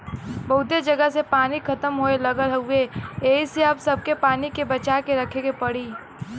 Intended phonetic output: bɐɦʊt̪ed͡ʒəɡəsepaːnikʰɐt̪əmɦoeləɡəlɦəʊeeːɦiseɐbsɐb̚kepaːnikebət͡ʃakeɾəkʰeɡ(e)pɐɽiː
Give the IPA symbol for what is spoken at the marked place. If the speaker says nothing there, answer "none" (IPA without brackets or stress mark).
e